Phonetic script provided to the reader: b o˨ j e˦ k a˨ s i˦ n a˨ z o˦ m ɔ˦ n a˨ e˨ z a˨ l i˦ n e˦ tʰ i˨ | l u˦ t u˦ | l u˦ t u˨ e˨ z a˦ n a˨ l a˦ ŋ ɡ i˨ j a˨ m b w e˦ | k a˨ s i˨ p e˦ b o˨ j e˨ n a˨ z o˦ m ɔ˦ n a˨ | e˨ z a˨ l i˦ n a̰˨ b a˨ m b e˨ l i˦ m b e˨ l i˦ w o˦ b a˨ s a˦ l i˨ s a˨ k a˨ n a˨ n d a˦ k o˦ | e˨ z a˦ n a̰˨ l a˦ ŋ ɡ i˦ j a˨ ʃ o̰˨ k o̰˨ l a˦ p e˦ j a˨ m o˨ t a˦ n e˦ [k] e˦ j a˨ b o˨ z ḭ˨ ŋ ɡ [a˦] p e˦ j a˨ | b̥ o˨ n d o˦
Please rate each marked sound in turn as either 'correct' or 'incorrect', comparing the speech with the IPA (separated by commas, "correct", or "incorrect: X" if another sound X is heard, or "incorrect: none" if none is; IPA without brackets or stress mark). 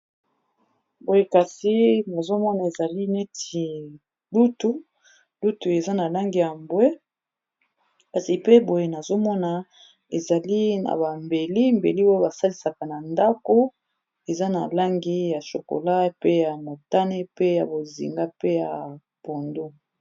incorrect: p, correct